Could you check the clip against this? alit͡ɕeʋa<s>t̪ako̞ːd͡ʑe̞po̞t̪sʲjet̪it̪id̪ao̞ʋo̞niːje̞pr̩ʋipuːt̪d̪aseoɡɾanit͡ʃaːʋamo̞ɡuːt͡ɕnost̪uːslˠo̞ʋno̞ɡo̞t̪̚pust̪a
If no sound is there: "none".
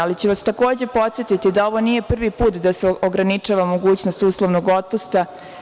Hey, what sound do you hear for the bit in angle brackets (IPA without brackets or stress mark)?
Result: s